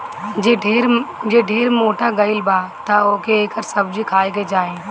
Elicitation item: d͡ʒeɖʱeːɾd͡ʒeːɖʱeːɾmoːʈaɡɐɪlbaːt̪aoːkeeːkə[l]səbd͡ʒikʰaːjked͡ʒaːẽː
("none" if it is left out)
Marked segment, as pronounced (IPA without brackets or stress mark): ɾ